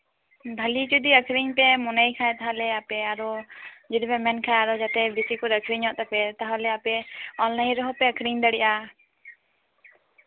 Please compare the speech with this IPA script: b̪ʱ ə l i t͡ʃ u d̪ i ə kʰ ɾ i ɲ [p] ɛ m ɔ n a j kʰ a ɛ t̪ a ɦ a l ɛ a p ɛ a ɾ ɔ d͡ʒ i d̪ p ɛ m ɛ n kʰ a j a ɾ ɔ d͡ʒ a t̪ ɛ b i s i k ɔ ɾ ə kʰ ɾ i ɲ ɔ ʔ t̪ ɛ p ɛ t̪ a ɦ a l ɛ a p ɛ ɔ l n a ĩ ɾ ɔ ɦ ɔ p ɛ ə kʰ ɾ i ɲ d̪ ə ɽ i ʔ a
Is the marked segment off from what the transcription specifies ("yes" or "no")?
no